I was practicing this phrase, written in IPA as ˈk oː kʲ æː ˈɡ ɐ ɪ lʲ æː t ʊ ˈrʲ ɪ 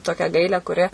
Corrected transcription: ˈt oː kʲ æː ˈɡ ɐ ɪ lʲ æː k ʊ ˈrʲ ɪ

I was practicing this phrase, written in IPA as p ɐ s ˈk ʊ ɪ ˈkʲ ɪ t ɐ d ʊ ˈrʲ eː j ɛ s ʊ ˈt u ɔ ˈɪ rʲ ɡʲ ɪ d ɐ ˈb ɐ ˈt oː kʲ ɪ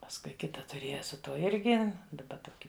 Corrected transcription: p ɐ s ˈk ʊ ɪ ˈkʲ ɪ t ɐ t ʊ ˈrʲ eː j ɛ s ʊ ˈt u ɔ ˈɪ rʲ ɡʲ ɪ d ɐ ˈb ɐ ˈt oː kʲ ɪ

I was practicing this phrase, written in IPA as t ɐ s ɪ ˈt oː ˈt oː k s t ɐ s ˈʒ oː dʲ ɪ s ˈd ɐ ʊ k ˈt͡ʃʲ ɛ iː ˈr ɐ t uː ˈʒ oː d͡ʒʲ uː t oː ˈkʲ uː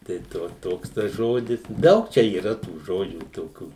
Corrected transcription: t ɐ ɪ ˈt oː ˈt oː k s t ɐ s ˈʒ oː dʲ ɪ s ˈd ɐ ʊ k ˈt͡ʃʲ ɛ iː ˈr ɐ t uː ˈʒ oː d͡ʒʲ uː t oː ˈkʲ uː

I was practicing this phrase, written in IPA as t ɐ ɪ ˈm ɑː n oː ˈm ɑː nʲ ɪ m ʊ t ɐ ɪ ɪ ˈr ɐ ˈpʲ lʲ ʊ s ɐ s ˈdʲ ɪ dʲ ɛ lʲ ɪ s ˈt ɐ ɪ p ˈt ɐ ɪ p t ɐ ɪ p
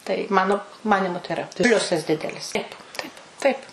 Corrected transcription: t ɐ ɪ ˈm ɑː n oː ˈm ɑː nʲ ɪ m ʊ t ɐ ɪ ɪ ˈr ɐ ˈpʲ lʲ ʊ s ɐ s ˈdʲ ɪ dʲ ɛ lʲ ɪ s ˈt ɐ ɪ p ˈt ɐ ɪ p t ɐ ɪ p

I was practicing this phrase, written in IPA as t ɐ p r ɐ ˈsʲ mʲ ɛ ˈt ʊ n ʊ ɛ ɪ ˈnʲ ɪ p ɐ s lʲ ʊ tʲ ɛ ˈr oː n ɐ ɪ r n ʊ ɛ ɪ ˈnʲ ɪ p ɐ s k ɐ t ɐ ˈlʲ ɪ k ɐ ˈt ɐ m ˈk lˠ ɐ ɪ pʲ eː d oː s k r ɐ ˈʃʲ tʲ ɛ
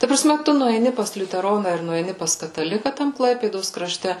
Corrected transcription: t ɐ p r ɐ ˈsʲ mʲ ɛ ˈt ʊ n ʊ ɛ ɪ ˈnʲ ɪ p ɐ s lʲ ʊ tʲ ɛ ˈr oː n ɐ ɪ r n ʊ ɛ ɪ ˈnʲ ɪ p ɐ s k ɐ t ɐ ˈlʲ ɪ k ɐ ˈt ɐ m ˈk lˠ ɐ ɪ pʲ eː d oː s k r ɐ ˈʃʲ tʲ ɛ

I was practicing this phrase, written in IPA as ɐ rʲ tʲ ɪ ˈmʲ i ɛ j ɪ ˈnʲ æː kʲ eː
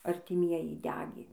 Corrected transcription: ɐ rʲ tʲ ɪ ˈmʲ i ɛ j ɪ ˈdʲ æː ɡʲ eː

